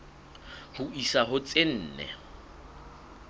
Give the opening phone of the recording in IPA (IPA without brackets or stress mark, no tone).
h